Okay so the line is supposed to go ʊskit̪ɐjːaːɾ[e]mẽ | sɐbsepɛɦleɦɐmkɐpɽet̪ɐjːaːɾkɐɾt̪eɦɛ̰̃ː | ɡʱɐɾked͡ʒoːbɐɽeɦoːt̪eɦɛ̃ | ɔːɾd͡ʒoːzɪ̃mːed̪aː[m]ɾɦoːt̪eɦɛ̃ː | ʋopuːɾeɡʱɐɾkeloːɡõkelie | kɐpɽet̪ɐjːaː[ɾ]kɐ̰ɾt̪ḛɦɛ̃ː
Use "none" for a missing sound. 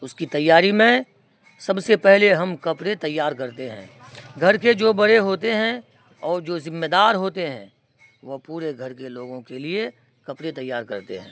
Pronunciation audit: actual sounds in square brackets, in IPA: i, none, ɾ

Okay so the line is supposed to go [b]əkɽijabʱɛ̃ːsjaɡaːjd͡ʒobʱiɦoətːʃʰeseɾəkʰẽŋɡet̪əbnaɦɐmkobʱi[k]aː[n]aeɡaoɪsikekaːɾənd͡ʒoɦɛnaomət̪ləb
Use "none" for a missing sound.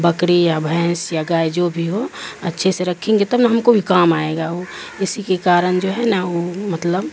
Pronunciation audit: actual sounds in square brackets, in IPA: b, k, m

